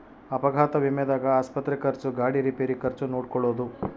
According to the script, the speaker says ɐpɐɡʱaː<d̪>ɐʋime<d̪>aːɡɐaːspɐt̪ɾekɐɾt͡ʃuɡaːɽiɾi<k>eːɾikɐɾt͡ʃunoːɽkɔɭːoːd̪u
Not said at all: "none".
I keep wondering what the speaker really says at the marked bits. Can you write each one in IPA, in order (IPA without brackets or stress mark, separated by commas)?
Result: t̪, d̪, p